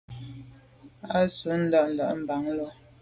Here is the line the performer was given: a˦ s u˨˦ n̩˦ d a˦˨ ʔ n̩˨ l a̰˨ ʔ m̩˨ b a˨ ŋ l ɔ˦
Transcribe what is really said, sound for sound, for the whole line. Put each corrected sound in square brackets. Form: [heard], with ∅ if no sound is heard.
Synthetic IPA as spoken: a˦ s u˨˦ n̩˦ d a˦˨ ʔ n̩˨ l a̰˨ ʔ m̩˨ b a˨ ŋ l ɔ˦